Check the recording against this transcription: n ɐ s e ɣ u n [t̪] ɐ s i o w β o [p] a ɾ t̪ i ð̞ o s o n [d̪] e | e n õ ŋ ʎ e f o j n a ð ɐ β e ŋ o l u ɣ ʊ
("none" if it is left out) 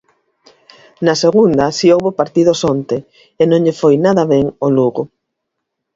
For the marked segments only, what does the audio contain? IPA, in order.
d̪, p, t̪

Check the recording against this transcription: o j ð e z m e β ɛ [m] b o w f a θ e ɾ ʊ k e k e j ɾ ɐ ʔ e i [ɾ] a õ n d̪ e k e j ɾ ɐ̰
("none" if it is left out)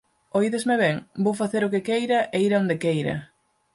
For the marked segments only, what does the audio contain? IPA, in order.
ŋ, ɾ

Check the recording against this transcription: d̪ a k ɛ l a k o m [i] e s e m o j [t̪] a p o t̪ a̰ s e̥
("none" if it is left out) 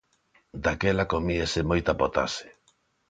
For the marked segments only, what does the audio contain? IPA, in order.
i, t̪

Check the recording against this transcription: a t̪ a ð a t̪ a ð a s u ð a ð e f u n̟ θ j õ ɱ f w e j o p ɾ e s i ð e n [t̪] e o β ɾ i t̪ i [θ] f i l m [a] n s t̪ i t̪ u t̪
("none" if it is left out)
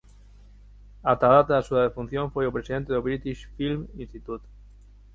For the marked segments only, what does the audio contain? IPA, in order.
t̪, ʃ, i

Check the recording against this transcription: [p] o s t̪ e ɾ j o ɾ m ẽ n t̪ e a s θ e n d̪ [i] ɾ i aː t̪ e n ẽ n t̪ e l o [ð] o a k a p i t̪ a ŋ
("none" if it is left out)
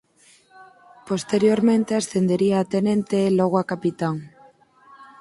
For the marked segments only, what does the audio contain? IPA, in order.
p, e, ɣ

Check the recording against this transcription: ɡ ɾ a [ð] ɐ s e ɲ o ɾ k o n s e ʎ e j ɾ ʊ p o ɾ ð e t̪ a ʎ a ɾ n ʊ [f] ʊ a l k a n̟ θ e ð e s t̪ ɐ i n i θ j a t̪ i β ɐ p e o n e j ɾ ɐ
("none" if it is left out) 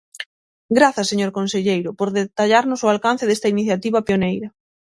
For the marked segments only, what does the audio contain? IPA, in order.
θ, s

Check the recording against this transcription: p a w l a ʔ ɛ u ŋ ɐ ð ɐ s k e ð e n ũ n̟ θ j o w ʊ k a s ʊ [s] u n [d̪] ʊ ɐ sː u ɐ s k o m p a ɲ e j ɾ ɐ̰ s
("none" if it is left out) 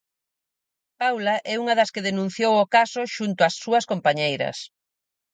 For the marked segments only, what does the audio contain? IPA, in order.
ʃ, t̪

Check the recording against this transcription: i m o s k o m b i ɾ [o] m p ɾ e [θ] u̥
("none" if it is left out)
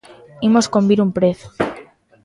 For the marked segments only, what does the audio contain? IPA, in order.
u, θ

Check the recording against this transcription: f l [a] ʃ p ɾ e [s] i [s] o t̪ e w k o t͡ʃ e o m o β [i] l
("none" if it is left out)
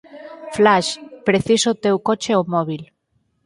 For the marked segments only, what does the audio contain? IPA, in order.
a, θ, s, i

